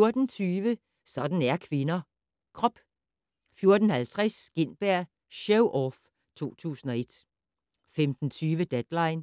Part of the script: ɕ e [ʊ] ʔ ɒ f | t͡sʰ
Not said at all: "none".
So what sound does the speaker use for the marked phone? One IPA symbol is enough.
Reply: ʊ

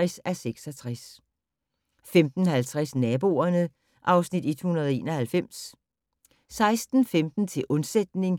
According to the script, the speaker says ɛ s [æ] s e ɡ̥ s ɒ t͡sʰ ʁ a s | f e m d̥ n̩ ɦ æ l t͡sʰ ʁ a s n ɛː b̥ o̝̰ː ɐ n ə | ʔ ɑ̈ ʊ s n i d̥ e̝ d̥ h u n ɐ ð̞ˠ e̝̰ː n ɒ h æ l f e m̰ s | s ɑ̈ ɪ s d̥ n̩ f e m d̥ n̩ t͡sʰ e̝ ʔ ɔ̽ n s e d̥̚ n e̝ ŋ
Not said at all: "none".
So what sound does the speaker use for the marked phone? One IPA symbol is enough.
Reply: æ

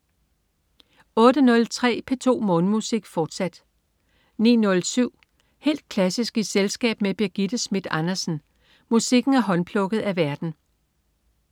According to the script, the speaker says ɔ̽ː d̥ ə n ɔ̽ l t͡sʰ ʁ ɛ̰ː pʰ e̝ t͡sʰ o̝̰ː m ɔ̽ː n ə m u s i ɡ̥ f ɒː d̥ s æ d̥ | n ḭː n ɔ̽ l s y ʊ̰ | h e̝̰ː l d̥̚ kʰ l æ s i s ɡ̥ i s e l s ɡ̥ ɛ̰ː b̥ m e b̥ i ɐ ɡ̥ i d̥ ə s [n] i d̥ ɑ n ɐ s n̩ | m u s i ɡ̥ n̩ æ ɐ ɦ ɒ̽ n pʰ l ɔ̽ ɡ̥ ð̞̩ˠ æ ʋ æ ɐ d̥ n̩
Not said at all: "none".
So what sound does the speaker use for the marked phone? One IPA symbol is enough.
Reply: m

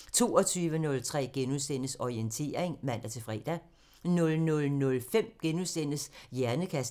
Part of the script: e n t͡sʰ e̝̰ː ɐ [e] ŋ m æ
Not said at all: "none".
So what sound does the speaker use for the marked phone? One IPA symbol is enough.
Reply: e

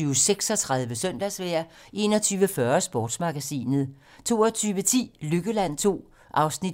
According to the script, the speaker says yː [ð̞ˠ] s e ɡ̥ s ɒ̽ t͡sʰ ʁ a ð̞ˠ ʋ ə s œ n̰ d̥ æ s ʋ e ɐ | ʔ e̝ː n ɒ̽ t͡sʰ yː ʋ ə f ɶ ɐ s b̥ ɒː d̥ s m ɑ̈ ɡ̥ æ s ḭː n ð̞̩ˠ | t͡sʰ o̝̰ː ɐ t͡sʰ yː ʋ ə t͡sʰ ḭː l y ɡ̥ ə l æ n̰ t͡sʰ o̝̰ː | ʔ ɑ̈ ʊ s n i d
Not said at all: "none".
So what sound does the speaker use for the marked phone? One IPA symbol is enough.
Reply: none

